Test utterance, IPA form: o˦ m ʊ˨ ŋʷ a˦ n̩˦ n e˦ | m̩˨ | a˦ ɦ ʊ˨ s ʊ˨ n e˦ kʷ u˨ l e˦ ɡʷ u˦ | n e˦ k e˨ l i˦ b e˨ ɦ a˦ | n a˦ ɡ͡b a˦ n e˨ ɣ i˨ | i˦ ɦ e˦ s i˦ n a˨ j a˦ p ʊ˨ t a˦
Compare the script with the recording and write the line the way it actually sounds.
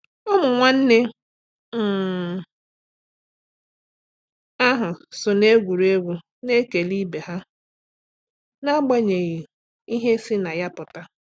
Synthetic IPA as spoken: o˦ m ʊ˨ ŋʷ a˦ n̩˦ n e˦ | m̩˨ | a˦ ɦ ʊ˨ s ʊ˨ n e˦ ɡʷ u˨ ɾ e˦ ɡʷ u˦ | n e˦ k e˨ l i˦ b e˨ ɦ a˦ | n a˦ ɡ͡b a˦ ɲ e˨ ɣ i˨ | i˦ ɦ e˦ s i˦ n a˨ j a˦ p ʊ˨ t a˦

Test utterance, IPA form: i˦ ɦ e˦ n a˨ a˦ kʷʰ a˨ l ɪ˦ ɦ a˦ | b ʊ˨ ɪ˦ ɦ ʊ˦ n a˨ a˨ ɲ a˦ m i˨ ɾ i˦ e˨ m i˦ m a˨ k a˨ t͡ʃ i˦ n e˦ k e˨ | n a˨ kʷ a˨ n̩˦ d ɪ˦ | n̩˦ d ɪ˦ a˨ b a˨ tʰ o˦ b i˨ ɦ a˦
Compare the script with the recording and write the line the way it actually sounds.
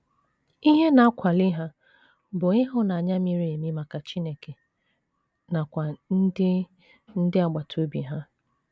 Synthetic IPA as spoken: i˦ ɦ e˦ n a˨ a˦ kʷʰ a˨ l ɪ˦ ɦ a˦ | b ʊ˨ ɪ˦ ɦ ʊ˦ n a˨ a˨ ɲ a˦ m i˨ ɾ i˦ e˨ m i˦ m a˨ k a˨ t͡ʃ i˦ n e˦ k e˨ | n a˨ kʷ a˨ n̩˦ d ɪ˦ | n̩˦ d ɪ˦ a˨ ɡ͡b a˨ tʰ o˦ b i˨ ɦ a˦

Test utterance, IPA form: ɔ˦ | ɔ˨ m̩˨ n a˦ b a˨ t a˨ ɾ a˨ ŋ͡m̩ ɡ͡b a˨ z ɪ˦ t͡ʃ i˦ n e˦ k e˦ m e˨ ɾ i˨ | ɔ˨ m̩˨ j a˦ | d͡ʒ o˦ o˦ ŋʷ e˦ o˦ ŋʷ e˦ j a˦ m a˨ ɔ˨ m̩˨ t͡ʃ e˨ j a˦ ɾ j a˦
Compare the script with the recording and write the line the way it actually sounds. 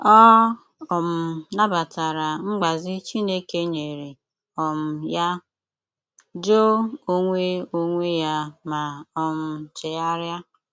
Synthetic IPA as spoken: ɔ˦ | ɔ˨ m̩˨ n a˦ b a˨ t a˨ ɾ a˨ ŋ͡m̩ ɡ͡b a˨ z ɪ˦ t͡ʃ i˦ n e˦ k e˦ ɲ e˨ ɾ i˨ | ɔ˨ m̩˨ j a˦ | d͡ʒ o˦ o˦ ŋʷ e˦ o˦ ŋʷ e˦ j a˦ m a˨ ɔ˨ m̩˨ t͡ʃ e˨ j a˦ ɾ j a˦

